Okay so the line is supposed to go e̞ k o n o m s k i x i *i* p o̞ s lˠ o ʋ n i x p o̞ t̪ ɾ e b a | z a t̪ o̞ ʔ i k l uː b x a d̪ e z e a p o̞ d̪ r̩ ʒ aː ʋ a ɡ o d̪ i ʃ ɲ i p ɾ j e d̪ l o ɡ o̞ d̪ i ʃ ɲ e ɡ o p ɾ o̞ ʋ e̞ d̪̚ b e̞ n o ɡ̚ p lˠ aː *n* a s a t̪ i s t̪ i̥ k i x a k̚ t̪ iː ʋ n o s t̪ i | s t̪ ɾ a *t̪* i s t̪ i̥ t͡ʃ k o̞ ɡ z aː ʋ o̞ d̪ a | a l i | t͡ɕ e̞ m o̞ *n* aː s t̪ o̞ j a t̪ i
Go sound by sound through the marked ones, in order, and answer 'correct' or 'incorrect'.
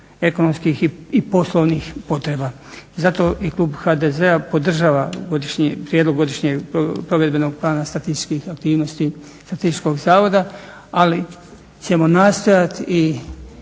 correct, correct, correct, correct

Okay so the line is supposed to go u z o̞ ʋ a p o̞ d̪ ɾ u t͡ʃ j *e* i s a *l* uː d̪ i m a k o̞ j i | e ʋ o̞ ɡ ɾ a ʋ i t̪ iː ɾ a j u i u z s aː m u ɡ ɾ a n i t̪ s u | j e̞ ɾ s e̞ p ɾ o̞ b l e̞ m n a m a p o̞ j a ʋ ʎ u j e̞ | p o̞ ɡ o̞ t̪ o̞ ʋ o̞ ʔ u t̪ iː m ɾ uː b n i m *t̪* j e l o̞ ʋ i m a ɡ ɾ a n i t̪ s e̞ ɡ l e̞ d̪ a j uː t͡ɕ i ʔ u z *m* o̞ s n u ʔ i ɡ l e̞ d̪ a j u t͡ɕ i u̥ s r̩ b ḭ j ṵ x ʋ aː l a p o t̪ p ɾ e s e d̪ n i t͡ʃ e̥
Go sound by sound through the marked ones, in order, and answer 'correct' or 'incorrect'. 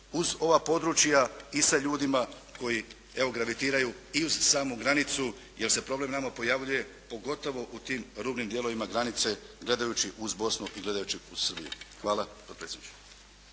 incorrect: a, incorrect: ʎ, incorrect: d̪, incorrect: b

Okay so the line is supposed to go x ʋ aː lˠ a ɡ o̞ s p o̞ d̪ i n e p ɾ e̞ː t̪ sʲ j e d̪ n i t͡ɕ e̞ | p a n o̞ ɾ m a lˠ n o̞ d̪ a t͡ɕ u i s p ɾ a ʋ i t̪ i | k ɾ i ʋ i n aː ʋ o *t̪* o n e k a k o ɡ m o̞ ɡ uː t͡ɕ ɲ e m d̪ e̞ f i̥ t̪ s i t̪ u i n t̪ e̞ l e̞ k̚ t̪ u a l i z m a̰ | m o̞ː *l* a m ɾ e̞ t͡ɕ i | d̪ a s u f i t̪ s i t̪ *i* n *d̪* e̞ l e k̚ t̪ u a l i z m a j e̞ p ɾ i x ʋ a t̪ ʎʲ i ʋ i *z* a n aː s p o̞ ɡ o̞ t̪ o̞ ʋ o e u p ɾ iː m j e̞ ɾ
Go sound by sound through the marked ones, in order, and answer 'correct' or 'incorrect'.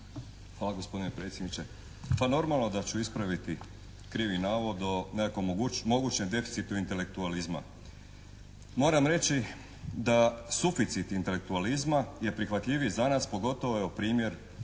incorrect: d̪, incorrect: ɾ, correct, incorrect: t̪, correct

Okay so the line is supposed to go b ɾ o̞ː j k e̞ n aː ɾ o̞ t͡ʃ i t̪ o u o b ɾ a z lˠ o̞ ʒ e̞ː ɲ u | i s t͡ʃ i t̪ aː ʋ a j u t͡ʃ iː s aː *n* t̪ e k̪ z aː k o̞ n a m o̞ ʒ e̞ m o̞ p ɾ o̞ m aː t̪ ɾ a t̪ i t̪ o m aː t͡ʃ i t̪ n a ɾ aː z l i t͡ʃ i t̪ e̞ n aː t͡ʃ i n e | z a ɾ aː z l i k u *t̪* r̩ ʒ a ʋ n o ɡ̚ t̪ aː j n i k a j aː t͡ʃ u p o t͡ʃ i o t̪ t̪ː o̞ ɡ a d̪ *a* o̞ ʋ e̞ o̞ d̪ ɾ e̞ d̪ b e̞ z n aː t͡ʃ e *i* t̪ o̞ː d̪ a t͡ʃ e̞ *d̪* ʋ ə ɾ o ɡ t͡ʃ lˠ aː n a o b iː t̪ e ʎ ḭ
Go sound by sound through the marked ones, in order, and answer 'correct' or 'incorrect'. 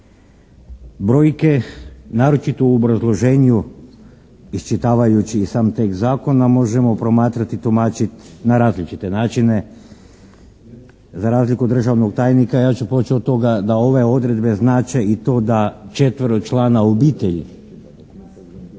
incorrect: m, incorrect: d̪, correct, correct, incorrect: t̪

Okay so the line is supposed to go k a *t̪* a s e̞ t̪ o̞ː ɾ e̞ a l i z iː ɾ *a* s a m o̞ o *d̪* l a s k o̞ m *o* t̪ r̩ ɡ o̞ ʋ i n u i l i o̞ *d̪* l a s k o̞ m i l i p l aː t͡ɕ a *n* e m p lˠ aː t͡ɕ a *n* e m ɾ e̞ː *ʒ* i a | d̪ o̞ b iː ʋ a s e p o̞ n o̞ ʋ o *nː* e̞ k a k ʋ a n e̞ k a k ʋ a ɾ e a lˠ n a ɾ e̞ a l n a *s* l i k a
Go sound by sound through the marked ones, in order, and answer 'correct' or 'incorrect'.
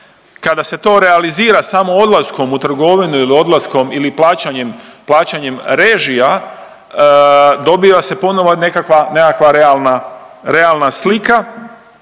incorrect: d̪, correct, correct, incorrect: u, correct, incorrect: ɲ, incorrect: ɲ, correct, incorrect: n, correct

